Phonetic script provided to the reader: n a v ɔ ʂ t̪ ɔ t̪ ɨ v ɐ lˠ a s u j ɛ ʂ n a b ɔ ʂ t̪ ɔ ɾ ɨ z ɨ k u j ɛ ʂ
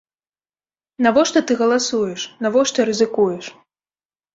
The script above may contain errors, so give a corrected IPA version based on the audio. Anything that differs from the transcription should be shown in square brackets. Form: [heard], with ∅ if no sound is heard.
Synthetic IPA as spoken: n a v ɔ ʂ t̪ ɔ t̪ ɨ [ɣ] ɐ lˠ a s u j ɛ ʂ n a [v] ɔ ʂ t̪ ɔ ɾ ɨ z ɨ k u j ɛ ʂ